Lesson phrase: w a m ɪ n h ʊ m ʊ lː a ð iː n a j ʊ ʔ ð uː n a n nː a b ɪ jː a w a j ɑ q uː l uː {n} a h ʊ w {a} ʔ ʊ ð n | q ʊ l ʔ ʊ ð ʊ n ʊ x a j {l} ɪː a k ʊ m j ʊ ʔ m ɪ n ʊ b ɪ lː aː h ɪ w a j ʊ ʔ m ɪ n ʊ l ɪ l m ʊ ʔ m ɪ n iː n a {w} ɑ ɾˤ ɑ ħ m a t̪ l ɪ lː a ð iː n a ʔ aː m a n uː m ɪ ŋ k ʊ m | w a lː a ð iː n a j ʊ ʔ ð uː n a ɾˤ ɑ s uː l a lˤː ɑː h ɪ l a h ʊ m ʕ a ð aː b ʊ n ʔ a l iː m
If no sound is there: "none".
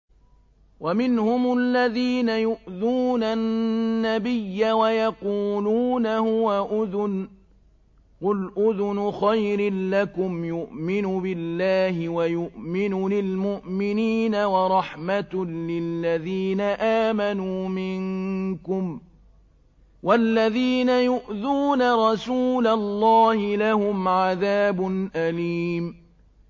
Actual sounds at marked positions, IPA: n, a, ɾ, w

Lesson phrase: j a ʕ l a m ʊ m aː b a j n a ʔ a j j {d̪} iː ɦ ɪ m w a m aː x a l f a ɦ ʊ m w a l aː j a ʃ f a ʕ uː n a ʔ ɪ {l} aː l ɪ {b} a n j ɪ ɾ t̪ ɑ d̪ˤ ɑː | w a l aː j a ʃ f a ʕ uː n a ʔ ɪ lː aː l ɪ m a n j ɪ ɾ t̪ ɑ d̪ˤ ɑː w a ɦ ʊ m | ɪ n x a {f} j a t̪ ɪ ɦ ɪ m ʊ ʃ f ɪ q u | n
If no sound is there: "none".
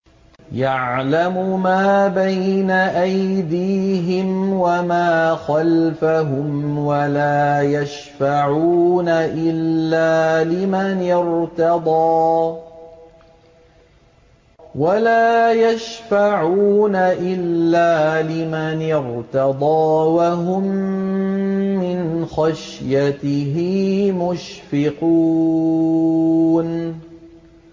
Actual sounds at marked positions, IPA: d̪, lː, m, ʃ

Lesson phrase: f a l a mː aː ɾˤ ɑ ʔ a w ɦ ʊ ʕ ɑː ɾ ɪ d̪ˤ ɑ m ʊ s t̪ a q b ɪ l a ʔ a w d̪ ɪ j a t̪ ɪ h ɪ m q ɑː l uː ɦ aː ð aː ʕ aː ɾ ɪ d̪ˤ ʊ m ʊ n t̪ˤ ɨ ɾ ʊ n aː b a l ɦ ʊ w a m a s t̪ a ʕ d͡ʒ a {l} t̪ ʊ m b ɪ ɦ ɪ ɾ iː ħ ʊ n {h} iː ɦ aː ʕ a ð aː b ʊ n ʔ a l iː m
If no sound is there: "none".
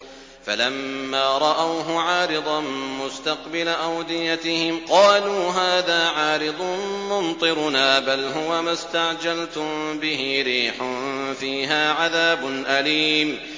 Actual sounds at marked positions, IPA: l, f

